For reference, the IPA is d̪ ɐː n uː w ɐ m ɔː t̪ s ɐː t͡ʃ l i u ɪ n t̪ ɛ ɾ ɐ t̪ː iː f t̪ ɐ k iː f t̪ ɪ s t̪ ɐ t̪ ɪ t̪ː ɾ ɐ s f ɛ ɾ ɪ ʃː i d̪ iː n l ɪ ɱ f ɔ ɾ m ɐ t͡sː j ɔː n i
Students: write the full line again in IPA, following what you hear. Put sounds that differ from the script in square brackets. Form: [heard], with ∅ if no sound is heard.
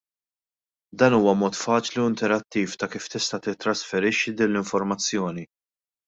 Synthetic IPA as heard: d̪ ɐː n uː w ɐ m ɔː t̪ [f] ɐː t͡ʃ l i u ɪ n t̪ ɛ ɾ ɐ t̪ː iː f t̪ ɐ k iː f t̪ ɪ s t̪ ɐ t̪ ɪ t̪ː ɾ ɐ s f ɛ ɾ ɪ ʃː i d̪ iː n l ɪ ɱ f ɔ ɾ m ɐ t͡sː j ɔː n i